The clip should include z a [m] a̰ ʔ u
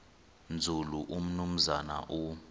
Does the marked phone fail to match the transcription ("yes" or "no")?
yes